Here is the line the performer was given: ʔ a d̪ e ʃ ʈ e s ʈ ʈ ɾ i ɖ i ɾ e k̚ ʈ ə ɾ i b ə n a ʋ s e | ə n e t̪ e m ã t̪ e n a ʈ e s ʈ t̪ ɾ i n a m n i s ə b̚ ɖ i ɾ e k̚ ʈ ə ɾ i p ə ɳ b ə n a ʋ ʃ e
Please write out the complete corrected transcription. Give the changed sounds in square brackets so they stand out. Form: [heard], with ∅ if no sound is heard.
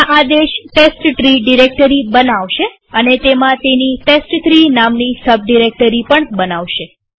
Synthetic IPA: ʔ a d̪ e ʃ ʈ e s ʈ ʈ ɾ i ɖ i ɾ e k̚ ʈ ə ɾ i b ə n a ʋ [ʃ] e | ə n e t̪ e m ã t̪ e n [i] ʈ e s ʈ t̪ ɾ i n a m n i s ə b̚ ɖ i ɾ e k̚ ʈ ə ɾ i p ə ɳ b ə n a ʋ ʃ e